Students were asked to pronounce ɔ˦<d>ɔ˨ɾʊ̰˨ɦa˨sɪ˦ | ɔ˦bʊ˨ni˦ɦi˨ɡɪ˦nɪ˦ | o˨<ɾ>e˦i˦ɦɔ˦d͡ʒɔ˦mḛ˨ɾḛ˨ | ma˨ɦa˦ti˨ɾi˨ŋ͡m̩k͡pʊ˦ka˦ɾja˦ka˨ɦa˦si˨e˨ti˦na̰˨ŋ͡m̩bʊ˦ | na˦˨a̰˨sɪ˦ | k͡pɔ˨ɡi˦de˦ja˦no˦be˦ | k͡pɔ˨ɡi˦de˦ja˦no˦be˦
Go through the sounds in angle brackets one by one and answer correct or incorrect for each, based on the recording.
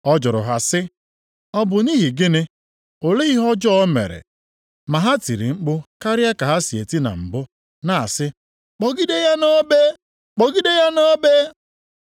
incorrect: d͡ʒ, incorrect: l

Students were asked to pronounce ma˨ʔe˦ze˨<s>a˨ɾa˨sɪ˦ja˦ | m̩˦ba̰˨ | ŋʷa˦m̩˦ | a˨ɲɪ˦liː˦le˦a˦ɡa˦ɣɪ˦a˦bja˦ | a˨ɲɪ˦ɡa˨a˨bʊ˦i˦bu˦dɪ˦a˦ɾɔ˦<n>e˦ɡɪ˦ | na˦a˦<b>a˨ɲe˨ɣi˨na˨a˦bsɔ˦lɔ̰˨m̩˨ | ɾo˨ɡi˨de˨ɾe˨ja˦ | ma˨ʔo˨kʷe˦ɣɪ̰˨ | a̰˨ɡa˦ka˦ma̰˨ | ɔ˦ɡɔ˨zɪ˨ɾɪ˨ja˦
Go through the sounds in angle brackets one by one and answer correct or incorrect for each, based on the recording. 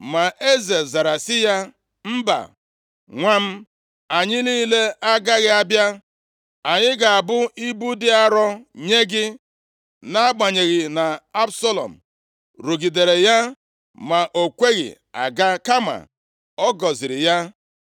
incorrect: z, incorrect: ɲ, incorrect: ɡ͡b

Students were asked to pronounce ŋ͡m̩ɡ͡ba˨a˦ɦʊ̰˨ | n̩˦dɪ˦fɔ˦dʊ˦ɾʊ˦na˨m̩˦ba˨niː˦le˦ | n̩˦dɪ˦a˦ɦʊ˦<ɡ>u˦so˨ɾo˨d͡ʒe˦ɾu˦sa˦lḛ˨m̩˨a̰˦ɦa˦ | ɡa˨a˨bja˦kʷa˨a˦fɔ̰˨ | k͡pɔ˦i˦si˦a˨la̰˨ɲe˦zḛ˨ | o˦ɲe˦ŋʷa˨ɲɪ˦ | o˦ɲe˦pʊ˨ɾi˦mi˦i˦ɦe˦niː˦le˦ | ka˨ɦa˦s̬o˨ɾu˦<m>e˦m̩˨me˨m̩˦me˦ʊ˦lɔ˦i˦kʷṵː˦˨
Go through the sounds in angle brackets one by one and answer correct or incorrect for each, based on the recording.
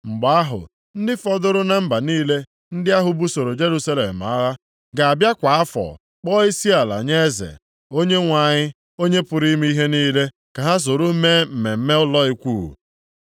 incorrect: b, correct

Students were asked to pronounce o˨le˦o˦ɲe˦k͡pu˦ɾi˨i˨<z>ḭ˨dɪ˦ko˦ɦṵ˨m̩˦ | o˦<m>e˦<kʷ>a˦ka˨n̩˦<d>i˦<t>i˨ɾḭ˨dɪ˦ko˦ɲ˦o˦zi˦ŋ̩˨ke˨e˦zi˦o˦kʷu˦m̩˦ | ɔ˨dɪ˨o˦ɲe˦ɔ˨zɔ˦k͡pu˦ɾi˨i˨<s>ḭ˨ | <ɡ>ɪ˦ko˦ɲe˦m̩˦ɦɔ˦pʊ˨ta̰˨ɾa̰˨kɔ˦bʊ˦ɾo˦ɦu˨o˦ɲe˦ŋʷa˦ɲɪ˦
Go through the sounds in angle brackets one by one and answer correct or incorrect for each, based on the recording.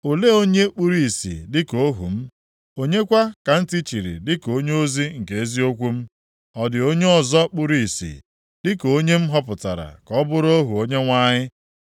incorrect: s, incorrect: ɲ, correct, incorrect: t, incorrect: t͡ʃ, correct, incorrect: d

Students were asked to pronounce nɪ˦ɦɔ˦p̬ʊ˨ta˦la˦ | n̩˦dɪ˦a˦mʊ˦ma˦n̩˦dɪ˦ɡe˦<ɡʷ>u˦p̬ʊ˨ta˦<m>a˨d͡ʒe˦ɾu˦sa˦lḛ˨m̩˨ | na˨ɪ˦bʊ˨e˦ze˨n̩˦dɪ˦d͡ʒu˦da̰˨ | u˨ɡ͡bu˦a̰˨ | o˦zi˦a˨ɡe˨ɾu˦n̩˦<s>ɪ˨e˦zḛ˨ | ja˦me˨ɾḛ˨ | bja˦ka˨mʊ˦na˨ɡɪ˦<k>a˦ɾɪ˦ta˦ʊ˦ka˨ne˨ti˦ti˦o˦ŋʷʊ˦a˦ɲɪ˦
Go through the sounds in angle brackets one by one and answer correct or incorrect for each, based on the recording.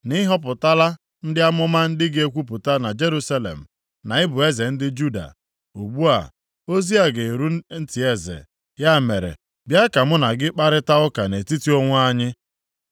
incorrect: kʷ, incorrect: n, incorrect: t, incorrect: k͡p

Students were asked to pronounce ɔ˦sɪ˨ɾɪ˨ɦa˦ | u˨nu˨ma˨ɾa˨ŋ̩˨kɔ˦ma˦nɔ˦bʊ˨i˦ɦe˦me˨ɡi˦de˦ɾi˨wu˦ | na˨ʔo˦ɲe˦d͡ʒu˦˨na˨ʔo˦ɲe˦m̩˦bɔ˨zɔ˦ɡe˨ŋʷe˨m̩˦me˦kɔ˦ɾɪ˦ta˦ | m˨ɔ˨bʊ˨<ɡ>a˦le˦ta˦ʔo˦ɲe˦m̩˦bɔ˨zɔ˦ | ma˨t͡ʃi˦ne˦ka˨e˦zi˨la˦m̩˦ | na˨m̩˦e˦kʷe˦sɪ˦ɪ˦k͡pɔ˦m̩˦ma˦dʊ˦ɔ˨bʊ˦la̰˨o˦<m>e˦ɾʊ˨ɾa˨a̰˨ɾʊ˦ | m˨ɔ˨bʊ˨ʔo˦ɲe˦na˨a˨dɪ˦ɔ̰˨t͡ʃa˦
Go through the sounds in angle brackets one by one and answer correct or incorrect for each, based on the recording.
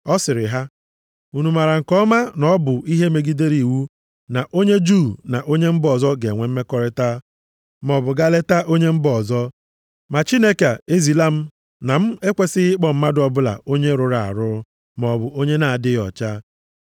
correct, incorrect: ɲ

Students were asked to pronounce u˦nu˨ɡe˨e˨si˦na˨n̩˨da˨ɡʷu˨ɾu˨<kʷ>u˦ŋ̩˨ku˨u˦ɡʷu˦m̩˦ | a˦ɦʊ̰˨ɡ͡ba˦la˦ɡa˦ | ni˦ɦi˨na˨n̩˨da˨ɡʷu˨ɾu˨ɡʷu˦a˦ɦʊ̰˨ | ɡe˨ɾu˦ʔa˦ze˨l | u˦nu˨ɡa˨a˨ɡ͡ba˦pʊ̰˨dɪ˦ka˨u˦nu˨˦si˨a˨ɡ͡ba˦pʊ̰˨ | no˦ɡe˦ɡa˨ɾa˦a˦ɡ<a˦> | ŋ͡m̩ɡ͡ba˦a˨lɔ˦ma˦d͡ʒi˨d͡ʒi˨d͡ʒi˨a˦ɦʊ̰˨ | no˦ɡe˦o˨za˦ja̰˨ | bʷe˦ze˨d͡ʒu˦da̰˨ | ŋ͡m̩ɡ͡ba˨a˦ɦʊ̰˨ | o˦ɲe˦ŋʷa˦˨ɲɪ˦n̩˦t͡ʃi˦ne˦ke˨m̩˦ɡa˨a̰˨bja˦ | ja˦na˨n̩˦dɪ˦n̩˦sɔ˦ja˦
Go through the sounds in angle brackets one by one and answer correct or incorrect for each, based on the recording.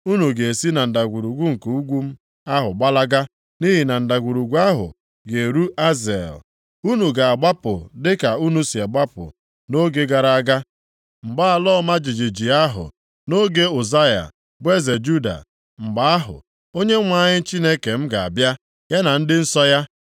incorrect: ɡʷ, correct

